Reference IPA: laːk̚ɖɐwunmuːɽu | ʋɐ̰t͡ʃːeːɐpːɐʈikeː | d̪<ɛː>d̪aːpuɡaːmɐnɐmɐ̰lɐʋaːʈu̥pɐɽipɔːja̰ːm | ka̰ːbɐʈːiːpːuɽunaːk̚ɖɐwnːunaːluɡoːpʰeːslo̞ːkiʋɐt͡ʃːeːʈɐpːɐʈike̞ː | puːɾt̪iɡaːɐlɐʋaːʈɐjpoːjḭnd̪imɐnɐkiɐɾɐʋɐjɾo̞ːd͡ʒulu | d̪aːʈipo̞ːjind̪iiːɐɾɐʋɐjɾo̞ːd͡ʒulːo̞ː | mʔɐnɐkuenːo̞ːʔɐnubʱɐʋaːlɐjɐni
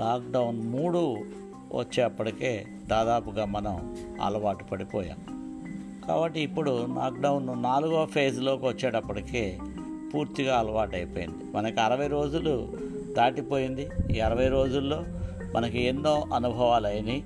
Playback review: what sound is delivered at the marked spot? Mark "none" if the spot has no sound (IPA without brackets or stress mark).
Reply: aː